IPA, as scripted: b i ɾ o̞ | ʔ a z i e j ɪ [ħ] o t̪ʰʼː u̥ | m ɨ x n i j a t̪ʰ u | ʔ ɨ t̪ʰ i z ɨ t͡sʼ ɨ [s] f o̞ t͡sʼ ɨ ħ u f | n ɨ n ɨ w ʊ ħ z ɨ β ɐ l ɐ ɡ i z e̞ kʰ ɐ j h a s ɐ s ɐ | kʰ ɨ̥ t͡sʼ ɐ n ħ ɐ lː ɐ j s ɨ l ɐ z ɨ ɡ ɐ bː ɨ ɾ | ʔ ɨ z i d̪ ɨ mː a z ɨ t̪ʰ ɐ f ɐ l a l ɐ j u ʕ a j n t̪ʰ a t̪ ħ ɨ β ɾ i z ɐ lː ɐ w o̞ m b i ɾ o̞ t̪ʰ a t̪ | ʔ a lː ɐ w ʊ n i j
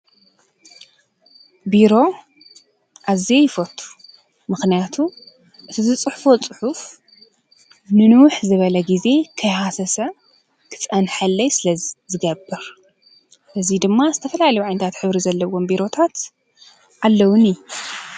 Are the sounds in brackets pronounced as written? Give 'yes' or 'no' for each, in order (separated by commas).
no, no